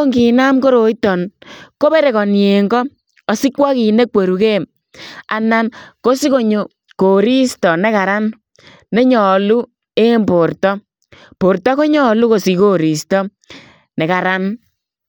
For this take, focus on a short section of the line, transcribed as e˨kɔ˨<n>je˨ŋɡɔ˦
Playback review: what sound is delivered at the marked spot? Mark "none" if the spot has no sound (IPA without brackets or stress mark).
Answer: n